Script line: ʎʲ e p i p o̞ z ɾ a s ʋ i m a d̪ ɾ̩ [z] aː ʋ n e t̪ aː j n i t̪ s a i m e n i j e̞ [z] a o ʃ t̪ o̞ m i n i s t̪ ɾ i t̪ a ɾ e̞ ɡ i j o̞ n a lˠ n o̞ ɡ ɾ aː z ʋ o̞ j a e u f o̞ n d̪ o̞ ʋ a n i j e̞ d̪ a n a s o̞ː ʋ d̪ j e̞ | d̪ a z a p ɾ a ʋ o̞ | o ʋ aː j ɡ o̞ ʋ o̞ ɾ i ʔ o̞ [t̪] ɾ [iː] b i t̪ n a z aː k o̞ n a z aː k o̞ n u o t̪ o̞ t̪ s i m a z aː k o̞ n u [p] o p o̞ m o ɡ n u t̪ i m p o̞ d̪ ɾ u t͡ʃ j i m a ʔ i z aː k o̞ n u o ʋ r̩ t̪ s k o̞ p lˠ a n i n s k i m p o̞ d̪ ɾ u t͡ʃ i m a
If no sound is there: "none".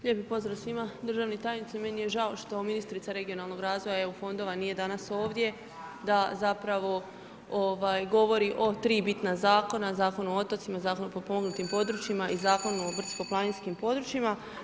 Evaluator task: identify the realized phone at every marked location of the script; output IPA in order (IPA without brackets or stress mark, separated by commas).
ʒ, ʒ, t̪, iː, p